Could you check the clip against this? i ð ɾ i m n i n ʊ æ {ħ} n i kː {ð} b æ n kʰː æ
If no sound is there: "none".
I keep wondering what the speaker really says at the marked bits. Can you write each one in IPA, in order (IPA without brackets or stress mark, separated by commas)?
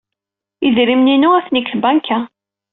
θ, θ